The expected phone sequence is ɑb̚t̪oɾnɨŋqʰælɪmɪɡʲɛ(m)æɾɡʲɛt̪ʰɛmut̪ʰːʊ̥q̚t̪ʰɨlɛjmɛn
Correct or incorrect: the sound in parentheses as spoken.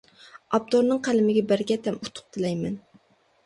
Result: incorrect: b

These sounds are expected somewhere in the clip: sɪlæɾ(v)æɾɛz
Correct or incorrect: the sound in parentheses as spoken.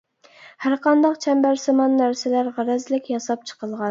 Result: incorrect: ʁ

